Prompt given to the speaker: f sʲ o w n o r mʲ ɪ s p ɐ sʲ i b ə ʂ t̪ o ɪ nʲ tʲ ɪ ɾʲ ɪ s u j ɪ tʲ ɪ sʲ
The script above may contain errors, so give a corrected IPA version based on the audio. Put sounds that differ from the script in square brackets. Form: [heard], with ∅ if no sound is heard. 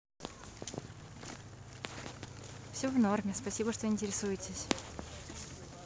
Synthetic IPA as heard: f sʲ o [v] n o r mʲ ɪ s p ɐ sʲ i b ə ʂ t̪ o ɪ nʲ tʲ ɪ ɾʲ ɪ s u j ɪ tʲ ɪ sʲ

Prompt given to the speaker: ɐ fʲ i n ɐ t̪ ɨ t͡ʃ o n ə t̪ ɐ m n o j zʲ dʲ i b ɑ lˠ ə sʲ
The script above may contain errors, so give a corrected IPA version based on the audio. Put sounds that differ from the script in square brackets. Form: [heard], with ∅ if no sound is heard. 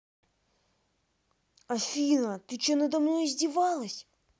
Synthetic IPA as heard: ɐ fʲ i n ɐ t̪ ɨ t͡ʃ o n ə [d̪] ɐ m n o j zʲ dʲ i [v] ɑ lˠ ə sʲ

